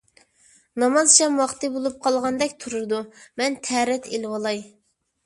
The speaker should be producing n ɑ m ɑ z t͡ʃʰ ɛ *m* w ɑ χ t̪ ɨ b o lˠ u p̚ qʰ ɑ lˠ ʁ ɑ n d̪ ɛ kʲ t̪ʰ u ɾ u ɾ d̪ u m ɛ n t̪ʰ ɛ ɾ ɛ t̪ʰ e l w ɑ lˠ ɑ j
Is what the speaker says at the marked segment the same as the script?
yes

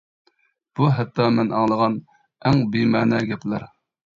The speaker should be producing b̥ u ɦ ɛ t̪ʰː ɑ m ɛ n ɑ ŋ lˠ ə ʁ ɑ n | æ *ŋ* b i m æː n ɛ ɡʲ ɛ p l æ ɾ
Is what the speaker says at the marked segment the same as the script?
yes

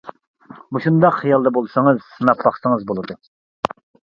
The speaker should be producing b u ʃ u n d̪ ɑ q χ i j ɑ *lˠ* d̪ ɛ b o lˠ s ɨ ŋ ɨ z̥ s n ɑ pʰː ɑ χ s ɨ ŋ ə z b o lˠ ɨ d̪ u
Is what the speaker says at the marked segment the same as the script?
yes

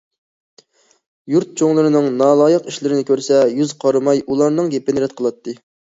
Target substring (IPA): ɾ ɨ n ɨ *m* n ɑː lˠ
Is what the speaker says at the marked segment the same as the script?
no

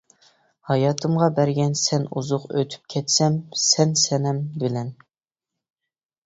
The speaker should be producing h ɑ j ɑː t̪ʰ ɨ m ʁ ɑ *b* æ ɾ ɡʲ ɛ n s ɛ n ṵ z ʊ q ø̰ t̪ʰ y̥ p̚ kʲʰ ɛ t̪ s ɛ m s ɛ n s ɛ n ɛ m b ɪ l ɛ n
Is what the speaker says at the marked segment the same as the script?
yes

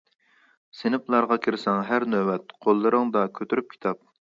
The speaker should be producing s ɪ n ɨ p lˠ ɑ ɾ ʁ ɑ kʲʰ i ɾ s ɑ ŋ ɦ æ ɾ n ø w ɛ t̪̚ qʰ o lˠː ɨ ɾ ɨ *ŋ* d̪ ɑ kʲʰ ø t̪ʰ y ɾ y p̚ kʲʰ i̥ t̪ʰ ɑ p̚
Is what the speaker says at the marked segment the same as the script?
yes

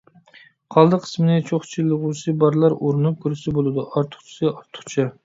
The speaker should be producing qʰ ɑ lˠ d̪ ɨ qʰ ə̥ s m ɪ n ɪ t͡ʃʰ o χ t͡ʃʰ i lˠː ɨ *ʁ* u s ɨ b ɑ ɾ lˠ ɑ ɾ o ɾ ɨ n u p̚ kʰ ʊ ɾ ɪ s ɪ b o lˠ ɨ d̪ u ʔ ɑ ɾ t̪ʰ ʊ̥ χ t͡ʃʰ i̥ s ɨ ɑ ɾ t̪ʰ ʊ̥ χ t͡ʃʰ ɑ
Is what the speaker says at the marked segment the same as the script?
yes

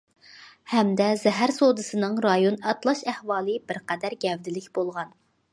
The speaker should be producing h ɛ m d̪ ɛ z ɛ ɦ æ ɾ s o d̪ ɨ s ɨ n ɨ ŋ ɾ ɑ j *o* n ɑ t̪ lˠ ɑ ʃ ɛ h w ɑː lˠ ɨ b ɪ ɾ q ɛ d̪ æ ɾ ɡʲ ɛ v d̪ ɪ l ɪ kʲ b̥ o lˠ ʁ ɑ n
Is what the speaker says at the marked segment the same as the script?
yes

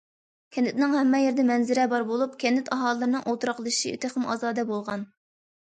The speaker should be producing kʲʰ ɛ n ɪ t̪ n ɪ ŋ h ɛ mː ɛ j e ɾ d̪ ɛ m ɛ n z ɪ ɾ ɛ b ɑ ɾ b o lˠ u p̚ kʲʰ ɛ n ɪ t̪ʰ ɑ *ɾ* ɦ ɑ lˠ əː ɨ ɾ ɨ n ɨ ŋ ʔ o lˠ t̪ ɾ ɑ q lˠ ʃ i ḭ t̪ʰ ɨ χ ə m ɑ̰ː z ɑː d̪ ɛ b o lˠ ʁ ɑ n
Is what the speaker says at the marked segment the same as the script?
no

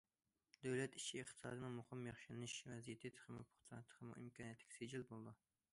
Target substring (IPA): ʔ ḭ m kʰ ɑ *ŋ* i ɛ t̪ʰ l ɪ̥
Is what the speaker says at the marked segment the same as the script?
no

